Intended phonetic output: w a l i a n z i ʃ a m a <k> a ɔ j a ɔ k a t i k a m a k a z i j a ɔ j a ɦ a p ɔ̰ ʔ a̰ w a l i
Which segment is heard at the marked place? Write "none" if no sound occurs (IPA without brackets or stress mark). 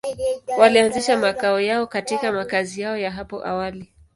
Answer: k